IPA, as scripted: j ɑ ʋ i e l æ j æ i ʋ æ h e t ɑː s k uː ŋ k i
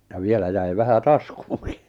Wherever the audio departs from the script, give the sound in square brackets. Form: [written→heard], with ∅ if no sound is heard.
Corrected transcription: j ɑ ʋ i e l æ j æ i ʋ æ h [e→æ] t [ɑː→ɑ] s k uː ŋ k i

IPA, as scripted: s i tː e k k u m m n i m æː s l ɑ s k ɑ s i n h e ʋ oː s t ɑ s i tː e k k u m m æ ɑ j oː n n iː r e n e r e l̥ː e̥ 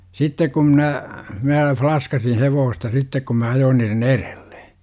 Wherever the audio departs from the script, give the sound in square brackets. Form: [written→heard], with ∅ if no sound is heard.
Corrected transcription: s i tː e k k u m m n [i→æ] m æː [s→f] l ɑ s k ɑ s i n h e ʋ oː s t ɑ s i tː e k k u m m æ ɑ j oː n n iː r e n e r e l̥ː e̥

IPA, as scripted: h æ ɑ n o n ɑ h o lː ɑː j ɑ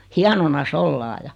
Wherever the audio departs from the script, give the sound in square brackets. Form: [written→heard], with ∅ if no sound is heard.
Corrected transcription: h [æ→i] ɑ n o n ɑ [h→s] o lː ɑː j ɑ

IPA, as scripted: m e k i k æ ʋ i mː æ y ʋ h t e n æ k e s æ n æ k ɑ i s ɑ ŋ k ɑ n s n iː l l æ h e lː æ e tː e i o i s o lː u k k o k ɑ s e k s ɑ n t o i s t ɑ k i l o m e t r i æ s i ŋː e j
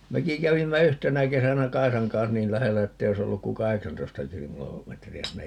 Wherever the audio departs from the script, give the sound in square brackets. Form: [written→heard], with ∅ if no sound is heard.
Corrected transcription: m e k i k æ ʋ i mː æ y [ʋ→∅] h t e n æ k e s æ n æ k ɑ i s ɑ ŋ k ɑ n s n iː l l æ h e lː æ e tː e i o i s o lː u k k [o→u] k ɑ [s→h] e k s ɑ n t o i s t ɑ k i l o m e t r i æ s i [ŋː→nː] e j

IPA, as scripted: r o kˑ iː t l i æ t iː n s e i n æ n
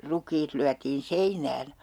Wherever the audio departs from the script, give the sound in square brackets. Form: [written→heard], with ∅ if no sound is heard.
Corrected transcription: r [o→u] kˑ iː t l [i→y] æ t iː n s e i n [æ→æː] n

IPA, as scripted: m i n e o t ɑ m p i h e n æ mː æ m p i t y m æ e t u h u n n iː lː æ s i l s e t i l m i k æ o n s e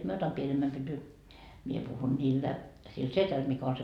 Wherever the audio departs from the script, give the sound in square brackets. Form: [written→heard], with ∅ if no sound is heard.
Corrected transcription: m i [n→∅] e o t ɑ m p i [h→∅] e n [æ→e] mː æ m p [i→y] t y m [æ→i] e [t→p] u h u n n iː lː æ s i l s e t [i→æ] l m i k æ o n s e

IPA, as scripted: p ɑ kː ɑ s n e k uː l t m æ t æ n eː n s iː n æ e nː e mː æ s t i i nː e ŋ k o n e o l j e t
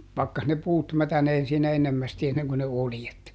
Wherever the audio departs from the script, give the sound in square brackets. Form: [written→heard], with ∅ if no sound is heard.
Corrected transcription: p ɑ kː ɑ s n e [k→p] uː [l→∅] t m æ t æ n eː n s iː n æ e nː e mː æ s t i [i→e] nː e ŋ k o n e o l j e t

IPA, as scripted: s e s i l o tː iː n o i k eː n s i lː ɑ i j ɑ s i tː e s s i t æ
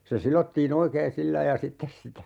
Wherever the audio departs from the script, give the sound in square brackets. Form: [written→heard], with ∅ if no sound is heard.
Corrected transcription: s e s i l o tː iː n o i k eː n s i lː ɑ i j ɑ s i tː e s s i t æ

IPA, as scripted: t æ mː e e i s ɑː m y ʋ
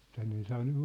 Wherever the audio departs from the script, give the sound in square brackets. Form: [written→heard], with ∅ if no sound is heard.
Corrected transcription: t æ [mː→nː] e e i s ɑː [m→n] y ʋ

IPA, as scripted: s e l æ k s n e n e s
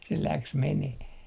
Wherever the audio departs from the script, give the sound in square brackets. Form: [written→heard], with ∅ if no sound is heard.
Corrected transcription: s e l æ k s [n→m] e n e [s→h]

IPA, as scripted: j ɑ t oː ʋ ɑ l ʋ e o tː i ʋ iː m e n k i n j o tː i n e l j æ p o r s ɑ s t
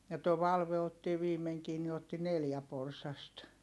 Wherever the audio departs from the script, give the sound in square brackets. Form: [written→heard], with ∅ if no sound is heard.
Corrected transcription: j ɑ t oː ʋ ɑ l ʋ e o tː i ʋ iː m e [n→ŋ] k [i→iː] n [j→i] o tː i n e l j æ p o r s ɑ s t

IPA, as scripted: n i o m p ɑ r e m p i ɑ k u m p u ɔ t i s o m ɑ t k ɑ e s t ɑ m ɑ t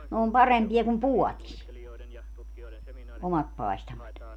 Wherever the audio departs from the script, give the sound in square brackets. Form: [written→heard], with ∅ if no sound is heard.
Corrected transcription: n [i→e] o m p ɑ r e m p i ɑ k u m p u ɔ t i s o m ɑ t [k→p] ɑ e s t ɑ m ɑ t

